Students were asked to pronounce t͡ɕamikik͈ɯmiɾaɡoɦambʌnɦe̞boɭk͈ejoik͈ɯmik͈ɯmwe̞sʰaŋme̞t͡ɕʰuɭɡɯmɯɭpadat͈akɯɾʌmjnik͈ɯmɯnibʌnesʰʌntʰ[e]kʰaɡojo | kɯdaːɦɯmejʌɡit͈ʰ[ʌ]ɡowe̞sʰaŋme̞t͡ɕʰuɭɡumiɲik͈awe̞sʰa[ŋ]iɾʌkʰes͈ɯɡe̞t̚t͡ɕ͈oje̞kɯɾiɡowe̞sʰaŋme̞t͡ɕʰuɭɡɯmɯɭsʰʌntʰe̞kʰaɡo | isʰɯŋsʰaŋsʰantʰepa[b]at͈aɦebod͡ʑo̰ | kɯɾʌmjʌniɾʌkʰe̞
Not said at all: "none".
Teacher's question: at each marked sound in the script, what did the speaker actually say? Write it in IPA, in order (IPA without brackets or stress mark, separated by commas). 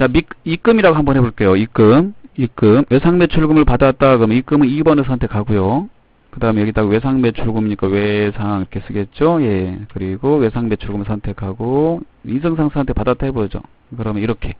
e, a, ŋ, d